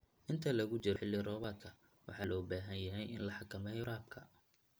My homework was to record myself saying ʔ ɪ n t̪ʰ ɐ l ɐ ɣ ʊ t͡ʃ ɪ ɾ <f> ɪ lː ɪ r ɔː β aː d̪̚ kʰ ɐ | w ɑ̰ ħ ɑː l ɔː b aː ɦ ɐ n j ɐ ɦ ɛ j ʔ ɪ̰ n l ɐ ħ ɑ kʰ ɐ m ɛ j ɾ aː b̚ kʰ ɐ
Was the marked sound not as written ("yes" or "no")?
yes